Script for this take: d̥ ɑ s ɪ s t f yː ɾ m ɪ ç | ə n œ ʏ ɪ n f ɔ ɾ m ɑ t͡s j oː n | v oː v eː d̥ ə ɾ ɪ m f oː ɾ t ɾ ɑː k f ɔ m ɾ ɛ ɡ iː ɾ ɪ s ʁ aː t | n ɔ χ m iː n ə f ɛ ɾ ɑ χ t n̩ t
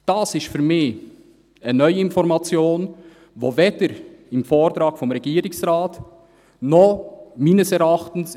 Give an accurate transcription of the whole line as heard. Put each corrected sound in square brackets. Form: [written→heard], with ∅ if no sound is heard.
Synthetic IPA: d̥ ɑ s ɪ s t f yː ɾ m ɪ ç | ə n œ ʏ ɪ n f ɔ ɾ m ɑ t͡s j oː n | v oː v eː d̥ ə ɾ ɪ m f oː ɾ t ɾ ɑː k f ɔ m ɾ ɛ ɡ iː ɾ ɪ s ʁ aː t | n ɔ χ m iː n ə [f→s] ɛ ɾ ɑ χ t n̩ [t→s]